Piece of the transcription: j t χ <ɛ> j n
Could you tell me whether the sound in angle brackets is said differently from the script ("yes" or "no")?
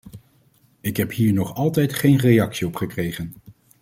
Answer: yes